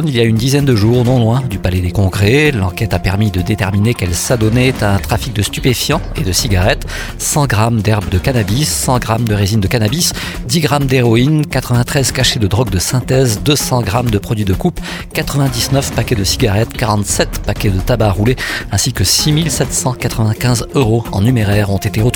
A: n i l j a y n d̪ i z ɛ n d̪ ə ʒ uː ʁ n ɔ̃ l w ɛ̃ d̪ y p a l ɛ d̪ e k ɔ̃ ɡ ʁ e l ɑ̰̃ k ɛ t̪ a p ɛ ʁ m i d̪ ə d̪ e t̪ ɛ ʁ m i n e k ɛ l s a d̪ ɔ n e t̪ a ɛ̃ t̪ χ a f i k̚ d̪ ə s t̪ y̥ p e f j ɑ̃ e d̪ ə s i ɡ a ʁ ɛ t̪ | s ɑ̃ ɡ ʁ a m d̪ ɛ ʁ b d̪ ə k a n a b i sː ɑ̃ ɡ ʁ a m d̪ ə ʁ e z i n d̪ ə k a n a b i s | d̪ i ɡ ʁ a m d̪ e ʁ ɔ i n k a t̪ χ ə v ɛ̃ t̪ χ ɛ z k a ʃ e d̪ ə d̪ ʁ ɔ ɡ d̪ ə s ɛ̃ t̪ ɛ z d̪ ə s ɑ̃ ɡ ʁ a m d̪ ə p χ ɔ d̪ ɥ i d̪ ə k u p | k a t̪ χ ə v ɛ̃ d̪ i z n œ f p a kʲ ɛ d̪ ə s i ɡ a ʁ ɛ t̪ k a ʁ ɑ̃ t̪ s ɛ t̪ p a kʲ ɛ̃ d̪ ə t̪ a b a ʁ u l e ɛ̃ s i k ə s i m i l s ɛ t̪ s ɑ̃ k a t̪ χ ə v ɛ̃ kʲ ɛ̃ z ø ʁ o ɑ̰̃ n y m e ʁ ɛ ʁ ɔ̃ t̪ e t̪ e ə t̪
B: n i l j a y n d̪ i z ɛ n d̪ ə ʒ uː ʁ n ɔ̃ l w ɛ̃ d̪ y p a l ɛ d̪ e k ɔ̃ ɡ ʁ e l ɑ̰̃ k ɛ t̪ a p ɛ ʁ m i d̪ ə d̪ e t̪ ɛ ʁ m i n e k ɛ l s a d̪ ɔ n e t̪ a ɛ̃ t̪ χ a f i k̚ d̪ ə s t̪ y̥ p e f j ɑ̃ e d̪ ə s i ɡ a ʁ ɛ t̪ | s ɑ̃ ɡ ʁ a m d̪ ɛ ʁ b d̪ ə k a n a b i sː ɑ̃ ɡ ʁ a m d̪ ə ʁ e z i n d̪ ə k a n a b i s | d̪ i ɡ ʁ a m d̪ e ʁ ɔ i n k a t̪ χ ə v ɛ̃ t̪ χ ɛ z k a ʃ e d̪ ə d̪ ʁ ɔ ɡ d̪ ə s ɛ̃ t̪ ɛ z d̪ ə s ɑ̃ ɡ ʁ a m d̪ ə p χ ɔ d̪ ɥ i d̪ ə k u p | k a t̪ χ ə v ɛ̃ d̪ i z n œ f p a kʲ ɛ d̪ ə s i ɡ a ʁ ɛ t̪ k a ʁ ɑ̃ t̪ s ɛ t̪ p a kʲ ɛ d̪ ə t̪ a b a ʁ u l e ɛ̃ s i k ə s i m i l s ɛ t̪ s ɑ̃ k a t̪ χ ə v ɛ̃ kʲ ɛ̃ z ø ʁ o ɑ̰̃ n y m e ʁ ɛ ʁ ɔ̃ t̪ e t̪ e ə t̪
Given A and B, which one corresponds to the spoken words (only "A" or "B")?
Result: B